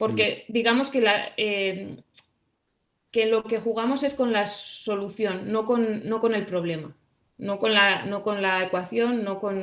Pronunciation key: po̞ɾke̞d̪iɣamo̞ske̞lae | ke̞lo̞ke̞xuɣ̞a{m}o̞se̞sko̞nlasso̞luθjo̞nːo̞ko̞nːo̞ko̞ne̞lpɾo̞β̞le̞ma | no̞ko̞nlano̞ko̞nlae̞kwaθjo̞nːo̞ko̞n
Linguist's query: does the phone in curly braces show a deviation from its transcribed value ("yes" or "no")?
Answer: no